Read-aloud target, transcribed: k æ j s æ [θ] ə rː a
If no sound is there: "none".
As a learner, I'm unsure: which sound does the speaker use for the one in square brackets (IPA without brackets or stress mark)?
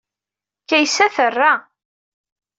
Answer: θ